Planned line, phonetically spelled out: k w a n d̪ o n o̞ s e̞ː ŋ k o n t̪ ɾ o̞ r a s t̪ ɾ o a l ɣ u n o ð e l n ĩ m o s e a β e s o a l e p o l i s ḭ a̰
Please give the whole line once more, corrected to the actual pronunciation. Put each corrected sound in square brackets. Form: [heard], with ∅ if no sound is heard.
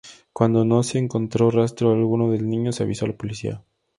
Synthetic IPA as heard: k w a n d̪ o n o̞ s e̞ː ŋ k o n t̪ ɾ o̞ r a s t̪ ɾ o a l ɣ u n o ð e l n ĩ [ɲ] o s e a β [i] s o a l [a] p o l i s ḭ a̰